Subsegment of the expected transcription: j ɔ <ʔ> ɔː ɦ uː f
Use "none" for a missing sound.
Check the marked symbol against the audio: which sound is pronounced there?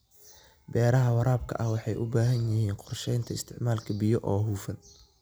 ʔ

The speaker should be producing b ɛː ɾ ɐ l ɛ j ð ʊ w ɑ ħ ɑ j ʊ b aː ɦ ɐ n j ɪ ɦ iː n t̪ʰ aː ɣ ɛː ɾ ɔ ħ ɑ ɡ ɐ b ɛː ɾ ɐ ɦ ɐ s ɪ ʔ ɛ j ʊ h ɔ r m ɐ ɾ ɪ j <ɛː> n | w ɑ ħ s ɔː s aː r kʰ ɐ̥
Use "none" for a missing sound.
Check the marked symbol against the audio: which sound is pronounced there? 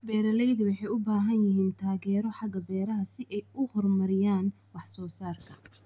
aː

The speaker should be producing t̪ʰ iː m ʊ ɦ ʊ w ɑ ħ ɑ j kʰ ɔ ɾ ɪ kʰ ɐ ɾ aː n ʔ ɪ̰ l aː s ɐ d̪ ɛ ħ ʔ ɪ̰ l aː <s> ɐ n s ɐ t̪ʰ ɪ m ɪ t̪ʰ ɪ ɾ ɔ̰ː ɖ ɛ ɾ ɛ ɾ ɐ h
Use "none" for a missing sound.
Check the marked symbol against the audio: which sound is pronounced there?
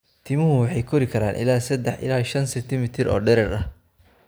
ʃ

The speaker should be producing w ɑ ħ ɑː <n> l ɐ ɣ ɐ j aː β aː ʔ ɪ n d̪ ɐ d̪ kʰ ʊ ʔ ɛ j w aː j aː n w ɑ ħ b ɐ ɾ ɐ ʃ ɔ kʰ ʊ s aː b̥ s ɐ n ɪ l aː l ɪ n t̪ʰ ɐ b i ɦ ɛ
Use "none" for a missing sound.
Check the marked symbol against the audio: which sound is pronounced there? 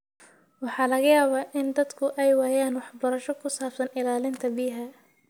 none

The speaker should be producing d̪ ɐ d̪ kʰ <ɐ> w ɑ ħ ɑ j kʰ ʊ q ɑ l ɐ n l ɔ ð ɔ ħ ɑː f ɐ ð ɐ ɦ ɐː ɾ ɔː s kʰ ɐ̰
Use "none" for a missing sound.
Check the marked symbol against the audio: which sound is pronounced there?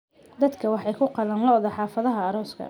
ɐ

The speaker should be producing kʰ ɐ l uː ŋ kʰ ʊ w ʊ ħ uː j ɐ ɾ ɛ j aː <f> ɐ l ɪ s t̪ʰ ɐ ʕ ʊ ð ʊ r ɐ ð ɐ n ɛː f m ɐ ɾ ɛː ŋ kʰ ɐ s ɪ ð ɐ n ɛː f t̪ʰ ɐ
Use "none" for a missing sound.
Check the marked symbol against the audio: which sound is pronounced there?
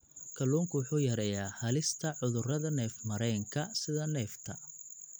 h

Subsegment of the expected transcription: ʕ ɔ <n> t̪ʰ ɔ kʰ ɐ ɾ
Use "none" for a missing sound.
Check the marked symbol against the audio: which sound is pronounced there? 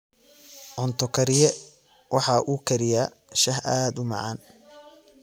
n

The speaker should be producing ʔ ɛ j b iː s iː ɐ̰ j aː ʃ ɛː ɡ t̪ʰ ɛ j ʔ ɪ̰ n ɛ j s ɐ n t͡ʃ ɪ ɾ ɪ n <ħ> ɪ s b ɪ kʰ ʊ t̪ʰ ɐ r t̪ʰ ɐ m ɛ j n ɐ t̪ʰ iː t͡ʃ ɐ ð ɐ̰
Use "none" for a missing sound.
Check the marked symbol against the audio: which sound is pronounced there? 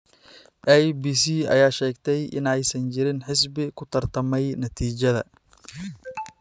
ħ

